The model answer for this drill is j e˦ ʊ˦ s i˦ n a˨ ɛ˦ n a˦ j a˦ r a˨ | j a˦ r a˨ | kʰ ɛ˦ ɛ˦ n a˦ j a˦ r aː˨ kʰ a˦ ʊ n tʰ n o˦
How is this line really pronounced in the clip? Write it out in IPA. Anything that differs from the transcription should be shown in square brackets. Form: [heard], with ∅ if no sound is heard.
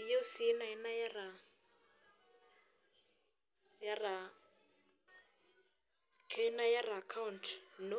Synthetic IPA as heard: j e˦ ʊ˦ s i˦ n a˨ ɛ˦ n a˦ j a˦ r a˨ | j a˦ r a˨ | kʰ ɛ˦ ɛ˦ n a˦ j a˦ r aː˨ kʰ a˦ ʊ n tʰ n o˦

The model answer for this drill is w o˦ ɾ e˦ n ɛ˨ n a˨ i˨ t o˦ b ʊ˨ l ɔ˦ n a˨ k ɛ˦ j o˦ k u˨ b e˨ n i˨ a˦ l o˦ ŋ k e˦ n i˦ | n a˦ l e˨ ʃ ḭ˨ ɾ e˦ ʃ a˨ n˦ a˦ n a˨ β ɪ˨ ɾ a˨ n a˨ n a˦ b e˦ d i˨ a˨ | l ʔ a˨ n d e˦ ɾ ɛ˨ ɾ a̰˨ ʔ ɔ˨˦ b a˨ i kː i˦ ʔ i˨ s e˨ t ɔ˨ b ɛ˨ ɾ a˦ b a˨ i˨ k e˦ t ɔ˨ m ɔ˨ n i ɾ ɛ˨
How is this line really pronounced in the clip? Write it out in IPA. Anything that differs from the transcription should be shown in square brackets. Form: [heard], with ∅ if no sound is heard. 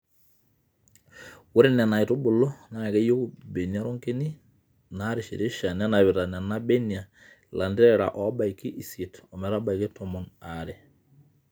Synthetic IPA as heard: w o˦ ɾ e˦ n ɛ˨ n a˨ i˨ t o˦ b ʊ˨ l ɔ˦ n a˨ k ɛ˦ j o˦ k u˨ b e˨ n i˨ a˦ [ɾ] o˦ ŋ k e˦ n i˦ | n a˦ [ɾ] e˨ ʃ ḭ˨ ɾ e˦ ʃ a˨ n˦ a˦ n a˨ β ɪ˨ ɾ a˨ n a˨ n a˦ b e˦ [n] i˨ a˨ | l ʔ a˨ n d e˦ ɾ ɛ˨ ɾ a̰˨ ʔ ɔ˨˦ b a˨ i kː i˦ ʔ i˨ s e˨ t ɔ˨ [m] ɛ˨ ɾ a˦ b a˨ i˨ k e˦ t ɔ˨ m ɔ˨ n [a] ɾ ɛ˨

